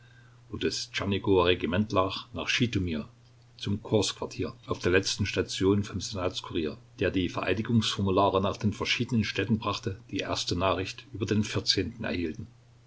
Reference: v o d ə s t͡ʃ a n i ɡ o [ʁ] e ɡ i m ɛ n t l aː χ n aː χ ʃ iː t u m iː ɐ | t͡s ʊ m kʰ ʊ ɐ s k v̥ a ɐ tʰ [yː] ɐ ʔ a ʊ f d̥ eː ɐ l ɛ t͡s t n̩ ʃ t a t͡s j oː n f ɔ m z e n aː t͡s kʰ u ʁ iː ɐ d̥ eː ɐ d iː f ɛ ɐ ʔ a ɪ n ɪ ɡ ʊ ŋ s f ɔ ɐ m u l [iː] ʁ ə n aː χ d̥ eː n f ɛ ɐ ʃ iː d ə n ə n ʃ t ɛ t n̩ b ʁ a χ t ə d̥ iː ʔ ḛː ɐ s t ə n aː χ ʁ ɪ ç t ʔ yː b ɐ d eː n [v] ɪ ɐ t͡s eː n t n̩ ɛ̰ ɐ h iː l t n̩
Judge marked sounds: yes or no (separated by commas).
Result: yes, no, no, no